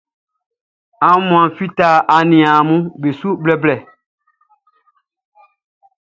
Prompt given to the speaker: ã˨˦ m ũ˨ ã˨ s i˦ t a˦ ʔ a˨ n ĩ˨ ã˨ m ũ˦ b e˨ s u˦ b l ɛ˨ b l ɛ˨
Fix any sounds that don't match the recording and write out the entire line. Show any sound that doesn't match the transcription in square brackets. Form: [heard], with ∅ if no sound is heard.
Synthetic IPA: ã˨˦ m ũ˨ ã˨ [f] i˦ t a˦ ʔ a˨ n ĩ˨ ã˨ m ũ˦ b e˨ s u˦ b l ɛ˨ b l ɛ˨